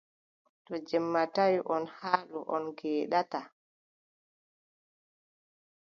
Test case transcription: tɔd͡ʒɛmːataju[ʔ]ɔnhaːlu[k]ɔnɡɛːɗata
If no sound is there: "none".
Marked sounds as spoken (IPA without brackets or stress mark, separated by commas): ʔ, ʔ